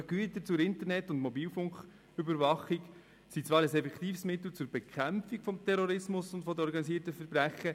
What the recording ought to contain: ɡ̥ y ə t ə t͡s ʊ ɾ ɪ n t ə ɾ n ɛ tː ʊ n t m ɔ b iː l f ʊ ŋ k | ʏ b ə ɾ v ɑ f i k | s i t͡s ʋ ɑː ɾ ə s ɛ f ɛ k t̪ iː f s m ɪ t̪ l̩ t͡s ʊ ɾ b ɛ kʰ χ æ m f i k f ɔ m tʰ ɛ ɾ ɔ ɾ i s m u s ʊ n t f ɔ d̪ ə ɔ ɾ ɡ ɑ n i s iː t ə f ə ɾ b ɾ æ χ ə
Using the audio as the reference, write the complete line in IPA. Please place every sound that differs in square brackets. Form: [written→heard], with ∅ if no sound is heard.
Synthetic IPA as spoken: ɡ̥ y ə t ə t͡s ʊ ɾ ɪ n t ə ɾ n ɛ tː ʊ n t m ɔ b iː l f ʊ ŋ k | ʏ b ə ɾ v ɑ [f→χ] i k | s i t͡s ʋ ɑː ɾ ə s ɛ f ɛ k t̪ iː f s m ɪ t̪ l̩ t͡s ʊ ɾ b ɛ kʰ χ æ m f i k f ɔ m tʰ ɛ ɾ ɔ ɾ [i→ɪ] s m [u→ʊ] s ʊ n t f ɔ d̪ ə ɔ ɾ ɡ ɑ n i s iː t ə f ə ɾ b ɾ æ χ ə